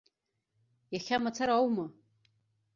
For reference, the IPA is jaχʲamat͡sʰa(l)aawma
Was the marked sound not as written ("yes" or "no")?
yes